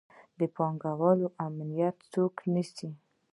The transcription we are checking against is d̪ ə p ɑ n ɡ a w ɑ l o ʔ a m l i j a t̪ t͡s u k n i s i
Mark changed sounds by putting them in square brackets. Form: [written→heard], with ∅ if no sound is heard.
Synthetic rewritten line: d̪ ə p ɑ [n→ŋ] ɡ a w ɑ l o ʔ a m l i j a t̪ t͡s [u→o] k n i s i